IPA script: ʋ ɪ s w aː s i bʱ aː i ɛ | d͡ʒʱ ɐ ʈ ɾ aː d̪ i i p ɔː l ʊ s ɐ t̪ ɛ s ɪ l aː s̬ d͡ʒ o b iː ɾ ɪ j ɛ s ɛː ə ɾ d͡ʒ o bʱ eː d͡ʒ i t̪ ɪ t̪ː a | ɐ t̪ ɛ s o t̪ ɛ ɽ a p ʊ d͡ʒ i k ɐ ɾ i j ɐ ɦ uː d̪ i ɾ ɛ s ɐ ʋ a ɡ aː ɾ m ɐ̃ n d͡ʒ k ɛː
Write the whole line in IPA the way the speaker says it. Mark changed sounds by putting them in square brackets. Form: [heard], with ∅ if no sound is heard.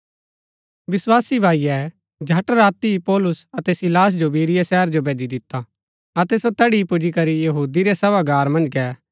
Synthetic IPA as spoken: ʋ ɪ s w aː s i bʱ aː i ɛ | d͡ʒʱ ɐ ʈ ɾ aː [t̪] i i p ɔː l ʊ s ɐ t̪ ɛ s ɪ l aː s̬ d͡ʒ o b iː ɾ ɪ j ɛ s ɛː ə ɾ d͡ʒ o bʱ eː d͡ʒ i [d̪] ɪ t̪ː a | ɐ t̪ ɛ s o t̪ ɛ ɽ [i] p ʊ d͡ʒ i k ɐ ɾ i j ɐ ɦ uː d̪ i ɾ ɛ s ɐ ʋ a ɡ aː ɾ m ɐ̃ n d͡ʒ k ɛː